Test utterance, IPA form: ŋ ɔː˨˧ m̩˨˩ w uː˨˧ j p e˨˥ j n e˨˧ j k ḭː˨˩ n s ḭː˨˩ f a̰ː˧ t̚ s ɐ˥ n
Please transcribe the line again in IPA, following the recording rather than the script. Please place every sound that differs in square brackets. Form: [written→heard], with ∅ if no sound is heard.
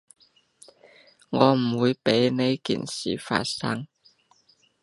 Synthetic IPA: ŋ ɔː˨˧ m̩˨˩ w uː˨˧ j p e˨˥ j n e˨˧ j k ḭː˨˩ n s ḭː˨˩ f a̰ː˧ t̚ s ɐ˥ [n→ŋ]

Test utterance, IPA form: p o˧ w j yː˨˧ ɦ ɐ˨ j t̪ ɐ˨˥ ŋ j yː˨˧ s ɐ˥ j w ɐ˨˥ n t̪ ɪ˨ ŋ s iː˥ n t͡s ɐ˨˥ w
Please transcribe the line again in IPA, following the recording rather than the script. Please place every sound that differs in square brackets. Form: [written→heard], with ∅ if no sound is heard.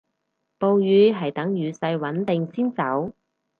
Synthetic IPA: p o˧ w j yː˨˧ ɦ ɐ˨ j t̪ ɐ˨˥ ŋ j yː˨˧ s [ɐ˥→ɐ˧] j w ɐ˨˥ n t̪ ɪ˨ ŋ s iː˥ n t͡s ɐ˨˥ w

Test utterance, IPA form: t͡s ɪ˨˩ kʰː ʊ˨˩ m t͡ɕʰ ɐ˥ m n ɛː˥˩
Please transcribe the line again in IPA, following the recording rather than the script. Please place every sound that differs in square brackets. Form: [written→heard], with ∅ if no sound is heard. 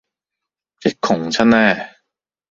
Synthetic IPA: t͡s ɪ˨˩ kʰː ʊ˨˩ [m→ŋ] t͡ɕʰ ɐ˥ [m→n] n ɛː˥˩

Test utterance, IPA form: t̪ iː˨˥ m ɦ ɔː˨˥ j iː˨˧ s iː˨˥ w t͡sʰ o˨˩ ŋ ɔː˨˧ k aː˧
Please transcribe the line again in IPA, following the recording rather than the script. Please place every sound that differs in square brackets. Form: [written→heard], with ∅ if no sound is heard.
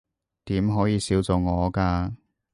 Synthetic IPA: t̪ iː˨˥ m ɦ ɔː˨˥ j iː˨˧ s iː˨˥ w [t͡sʰ→t͡s] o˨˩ ŋ ɔː˨˧ k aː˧

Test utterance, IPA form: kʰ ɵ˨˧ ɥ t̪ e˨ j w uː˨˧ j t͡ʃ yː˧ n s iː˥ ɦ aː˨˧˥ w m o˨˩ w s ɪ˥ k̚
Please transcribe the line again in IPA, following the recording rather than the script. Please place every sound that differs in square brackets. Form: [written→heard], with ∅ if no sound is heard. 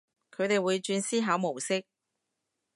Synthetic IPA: kʰ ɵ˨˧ ɥ t̪ e˨ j w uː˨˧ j t͡ʃ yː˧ n s iː˥ ɦ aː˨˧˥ w m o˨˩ w s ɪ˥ k̚

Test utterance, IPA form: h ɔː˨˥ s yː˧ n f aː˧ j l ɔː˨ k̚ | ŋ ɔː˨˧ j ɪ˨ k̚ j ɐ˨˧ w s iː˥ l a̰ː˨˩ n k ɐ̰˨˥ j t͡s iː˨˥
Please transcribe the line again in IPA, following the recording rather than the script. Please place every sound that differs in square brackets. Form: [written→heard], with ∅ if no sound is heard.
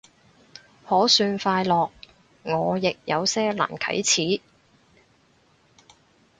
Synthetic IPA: h ɔː˨˥ s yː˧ n f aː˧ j l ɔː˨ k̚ | ŋ ɔː˨˧ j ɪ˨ k̚ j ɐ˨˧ w s [iː˥→ɛː˥] l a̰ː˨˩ n [k→kʰ] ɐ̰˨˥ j [t͡s→t͡sʰ] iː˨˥

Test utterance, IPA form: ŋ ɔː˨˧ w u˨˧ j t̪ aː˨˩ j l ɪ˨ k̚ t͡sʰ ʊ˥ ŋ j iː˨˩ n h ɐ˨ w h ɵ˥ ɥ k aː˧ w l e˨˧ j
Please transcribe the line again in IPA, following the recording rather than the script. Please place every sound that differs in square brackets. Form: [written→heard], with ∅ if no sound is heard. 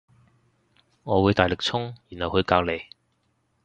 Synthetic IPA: ŋ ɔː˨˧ w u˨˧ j t̪ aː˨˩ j l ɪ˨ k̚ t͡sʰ ʊ˥ ŋ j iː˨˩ n h ɐ˨ w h [ɵ˥→ɵ˨˧] ɥ k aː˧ w l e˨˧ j

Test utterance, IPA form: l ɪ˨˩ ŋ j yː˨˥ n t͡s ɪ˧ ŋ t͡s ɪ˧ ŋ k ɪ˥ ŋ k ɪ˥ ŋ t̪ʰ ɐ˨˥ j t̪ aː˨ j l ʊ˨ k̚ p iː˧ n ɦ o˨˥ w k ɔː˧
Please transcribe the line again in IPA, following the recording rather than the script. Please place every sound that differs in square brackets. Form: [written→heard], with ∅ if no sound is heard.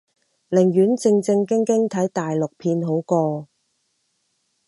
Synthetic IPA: l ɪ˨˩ ŋ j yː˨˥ n t͡s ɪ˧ ŋ t͡s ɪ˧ ŋ k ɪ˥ ŋ k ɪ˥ ŋ t̪ʰ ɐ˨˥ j t̪ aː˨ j l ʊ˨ k̚ [p→pʰ] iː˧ n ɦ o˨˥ w k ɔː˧

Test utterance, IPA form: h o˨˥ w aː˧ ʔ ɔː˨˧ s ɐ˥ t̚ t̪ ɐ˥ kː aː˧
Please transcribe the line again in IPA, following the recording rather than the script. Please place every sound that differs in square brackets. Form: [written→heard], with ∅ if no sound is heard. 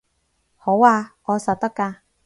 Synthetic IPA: h o˨˥ w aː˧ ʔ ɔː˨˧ s [ɐ˥→ɐ˨] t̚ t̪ ɐ˥ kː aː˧

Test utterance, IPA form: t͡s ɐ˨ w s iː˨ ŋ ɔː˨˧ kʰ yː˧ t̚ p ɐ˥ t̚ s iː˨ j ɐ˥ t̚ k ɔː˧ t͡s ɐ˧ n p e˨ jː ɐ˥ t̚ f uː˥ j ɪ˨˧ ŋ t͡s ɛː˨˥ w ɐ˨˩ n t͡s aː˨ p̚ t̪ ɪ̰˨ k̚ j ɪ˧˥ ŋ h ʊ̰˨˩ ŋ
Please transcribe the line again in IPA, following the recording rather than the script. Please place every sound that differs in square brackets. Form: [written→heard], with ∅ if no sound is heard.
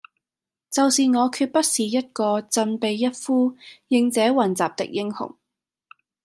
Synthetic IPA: t͡s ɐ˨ w s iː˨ ŋ ɔː˨˧ kʰ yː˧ t̚ p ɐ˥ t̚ s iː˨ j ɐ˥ t̚ k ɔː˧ t͡s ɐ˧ n p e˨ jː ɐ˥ t̚ f uː˥ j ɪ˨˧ ŋ t͡s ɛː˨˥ w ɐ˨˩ n t͡s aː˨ p̚ t̪ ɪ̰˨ k̚ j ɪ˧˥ ŋ h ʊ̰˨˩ ŋ

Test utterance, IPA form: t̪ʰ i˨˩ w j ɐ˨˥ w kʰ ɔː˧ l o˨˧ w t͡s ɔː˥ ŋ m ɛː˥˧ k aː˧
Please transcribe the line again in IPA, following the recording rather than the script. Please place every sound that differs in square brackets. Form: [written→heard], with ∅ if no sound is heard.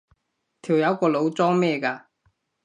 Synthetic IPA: t̪ʰ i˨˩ w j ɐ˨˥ w [kʰ→k] ɔː˧ l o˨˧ w t͡s ɔː˥ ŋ m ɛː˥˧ k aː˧

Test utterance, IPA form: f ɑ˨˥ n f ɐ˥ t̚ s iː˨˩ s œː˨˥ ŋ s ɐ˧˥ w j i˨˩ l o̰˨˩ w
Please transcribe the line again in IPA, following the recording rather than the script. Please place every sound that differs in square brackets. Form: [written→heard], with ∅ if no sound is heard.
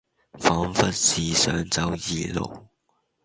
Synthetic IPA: f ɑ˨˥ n f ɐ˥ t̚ s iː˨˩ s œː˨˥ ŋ [s→t͡s] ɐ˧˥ w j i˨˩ l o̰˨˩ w

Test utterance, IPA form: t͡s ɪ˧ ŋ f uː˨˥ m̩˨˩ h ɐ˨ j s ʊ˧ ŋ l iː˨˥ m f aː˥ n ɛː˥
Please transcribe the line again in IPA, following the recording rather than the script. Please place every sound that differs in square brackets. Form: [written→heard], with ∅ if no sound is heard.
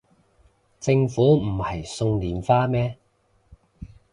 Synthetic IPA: t͡s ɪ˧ ŋ f uː˨˥ m̩˨˩ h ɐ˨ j s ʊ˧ ŋ l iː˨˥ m f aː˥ [n→m] ɛː˥

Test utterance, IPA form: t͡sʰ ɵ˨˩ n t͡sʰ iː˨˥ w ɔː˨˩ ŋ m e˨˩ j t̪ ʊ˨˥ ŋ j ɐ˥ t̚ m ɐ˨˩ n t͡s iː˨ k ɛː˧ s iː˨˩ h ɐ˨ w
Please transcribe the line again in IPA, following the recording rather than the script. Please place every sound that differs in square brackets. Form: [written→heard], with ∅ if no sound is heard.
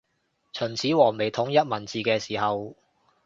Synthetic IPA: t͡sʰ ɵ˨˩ n t͡sʰ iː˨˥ w ɔː˨˩ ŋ m e˨˩ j [t̪→t̪ʰ] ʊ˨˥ ŋ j ɐ˥ t̚ m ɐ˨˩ n t͡s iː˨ k ɛː˧ s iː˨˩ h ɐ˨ w

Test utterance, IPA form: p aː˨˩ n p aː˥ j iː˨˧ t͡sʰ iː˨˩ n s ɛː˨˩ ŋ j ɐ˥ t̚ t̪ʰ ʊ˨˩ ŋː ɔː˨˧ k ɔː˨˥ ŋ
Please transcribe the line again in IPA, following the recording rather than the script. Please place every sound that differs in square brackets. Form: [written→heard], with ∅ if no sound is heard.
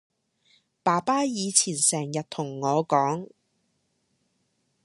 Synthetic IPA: p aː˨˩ [n→∅] p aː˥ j iː˨˧ t͡sʰ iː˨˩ n s ɛː˨˩ ŋ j [ɐ˥→ɐ˨] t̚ t̪ʰ ʊ˨˩ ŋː ɔː˨˧ k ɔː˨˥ ŋ

